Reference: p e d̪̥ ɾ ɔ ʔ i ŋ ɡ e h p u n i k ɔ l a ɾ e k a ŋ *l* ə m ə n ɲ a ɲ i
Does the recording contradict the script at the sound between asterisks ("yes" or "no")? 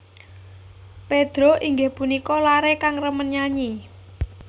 yes